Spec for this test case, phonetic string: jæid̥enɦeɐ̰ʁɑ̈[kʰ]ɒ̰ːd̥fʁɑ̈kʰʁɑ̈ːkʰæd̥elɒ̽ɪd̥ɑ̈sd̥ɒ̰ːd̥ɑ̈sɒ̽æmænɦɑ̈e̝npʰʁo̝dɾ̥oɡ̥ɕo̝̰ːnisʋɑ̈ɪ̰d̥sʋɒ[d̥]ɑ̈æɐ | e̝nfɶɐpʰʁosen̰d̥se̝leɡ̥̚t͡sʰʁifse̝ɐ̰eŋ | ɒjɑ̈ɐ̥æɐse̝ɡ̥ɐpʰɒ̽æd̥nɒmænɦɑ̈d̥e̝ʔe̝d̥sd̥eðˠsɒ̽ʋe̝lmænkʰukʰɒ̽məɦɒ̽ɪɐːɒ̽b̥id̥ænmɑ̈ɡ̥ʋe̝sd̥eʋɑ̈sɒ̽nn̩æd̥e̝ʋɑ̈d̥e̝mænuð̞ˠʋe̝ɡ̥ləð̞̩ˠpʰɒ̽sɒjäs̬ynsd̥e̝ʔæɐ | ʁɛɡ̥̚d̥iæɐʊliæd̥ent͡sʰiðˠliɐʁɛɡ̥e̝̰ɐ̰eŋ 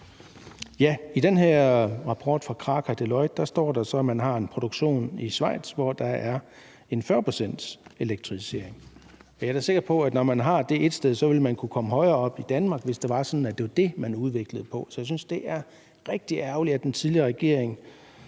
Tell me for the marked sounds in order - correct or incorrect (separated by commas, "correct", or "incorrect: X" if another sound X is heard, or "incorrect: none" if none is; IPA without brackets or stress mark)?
incorrect: pʰ, correct